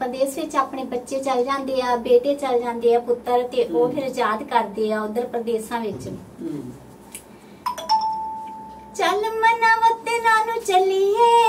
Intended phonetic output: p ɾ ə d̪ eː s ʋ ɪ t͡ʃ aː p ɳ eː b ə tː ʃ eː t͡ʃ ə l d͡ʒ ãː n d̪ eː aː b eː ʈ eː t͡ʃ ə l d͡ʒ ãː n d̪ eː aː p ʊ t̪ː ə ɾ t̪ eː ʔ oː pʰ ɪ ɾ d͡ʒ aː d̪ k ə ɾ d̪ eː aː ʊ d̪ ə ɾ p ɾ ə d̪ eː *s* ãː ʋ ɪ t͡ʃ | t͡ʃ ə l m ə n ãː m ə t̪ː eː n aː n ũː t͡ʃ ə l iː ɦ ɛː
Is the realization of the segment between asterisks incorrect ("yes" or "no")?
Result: no